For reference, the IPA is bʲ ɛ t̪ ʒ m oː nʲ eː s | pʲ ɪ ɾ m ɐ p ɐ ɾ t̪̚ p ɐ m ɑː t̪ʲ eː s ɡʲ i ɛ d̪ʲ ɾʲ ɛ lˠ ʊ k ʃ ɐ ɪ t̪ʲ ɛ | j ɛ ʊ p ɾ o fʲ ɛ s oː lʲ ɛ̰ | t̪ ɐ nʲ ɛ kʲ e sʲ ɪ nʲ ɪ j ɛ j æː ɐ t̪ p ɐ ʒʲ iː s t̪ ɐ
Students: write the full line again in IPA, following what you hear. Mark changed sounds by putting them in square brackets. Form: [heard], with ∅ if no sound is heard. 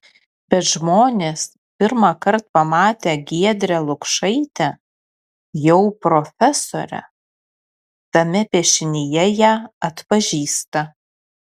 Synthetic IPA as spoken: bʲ ɛ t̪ ʒ m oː nʲ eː s | pʲ ɪ ɾ m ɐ [k] ɐ ɾ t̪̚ p ɐ m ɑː t̪ʲ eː [∅] ɡʲ i ɛ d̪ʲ ɾʲ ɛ lˠ ʊ k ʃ ɐ ɪ t̪ʲ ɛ | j ɛ ʊ p ɾ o fʲ ɛ s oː [ɾʲ] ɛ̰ | t̪ ɐ [mʲ] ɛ [pʲ] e [ʃʲ] ɪ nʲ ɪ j ɛ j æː ɐ t̪ p ɐ ʒʲ iː s t̪ ɐ